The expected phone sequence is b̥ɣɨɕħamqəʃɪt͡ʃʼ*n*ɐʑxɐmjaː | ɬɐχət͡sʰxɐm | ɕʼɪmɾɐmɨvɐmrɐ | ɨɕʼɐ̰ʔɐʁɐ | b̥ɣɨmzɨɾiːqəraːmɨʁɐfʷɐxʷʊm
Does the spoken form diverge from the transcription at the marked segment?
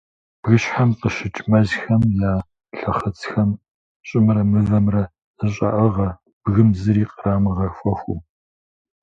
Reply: yes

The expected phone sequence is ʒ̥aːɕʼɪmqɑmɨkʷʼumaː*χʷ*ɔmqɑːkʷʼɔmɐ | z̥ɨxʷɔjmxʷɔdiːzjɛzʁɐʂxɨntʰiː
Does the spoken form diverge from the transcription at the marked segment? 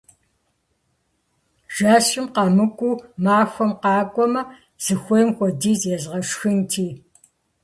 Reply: yes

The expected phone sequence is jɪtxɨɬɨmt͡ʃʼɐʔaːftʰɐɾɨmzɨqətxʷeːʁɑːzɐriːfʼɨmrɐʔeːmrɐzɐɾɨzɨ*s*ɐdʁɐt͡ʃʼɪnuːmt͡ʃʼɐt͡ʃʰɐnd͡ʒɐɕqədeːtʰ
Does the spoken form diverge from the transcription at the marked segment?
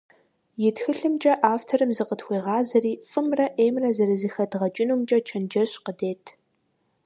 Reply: yes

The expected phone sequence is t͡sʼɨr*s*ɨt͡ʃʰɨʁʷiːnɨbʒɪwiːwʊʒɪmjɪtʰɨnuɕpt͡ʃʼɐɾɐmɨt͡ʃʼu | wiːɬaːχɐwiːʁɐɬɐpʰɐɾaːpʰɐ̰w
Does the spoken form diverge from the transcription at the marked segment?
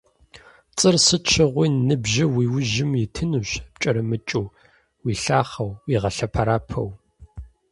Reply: no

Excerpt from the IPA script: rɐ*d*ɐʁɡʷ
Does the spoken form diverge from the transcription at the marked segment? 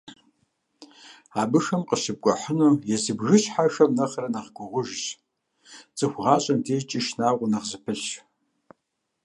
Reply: yes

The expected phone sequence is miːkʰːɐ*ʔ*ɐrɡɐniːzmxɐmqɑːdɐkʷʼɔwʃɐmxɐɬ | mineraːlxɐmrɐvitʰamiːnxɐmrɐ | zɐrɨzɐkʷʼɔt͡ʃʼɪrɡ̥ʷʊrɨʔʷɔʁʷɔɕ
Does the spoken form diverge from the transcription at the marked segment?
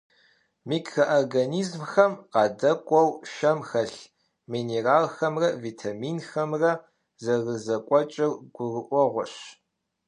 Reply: no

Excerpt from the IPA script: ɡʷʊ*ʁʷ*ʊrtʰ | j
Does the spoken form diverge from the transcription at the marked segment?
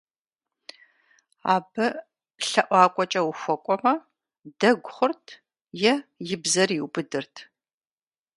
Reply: yes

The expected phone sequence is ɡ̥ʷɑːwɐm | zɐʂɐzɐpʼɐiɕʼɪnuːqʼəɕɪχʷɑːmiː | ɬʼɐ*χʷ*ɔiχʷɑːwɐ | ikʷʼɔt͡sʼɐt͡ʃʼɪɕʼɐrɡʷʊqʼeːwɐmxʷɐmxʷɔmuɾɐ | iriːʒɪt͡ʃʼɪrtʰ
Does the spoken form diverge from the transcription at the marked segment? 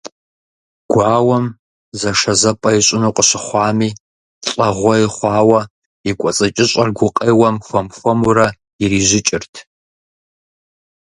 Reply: yes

